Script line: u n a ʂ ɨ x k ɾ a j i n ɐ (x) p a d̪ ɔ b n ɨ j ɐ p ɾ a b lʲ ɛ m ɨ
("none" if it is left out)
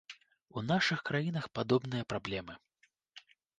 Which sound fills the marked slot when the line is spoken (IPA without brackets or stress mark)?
x